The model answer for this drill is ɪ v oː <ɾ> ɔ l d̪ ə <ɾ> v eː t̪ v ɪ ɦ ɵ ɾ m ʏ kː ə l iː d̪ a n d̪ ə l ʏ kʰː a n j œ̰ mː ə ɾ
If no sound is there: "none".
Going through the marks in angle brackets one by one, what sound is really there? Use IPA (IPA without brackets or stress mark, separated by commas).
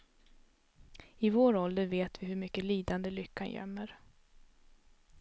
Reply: ɾ, ɾ